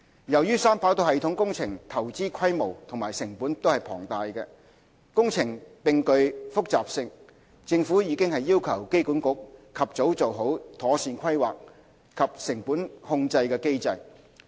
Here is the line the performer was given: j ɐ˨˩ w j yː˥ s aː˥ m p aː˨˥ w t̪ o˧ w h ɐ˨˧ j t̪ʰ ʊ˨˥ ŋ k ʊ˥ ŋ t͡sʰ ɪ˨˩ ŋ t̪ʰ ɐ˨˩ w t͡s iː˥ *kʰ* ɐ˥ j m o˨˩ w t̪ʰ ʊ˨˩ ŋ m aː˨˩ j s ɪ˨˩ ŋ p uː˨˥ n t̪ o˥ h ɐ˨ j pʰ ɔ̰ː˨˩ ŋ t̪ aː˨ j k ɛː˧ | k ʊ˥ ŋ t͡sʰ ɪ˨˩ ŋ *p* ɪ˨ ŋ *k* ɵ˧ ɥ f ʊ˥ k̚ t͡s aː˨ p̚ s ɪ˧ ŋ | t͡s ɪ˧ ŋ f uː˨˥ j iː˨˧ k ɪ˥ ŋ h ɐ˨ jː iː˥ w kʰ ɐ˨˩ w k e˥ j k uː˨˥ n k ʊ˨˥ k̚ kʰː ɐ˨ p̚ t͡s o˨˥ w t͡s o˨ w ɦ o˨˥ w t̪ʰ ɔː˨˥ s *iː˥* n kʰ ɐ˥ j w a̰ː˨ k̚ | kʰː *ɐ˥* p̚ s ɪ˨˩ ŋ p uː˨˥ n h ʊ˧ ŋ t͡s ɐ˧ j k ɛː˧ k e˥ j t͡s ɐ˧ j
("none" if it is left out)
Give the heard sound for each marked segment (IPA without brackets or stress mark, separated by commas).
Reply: kʰ, p, k, iː˧, ɐ˨